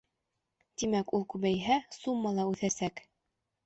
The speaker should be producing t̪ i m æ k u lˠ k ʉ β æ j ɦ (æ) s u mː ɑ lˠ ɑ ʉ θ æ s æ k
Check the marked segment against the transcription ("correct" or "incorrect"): correct